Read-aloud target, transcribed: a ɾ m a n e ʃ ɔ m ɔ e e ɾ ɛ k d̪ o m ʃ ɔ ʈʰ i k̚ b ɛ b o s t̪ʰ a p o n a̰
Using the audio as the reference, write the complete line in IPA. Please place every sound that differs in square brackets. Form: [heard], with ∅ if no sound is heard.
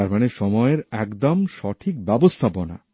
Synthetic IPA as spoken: a ɾ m a n e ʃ ɔ m ɔ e e ɾ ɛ k d̪ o m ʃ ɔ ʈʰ i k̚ b ɛ b o s t̪ʰ a p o n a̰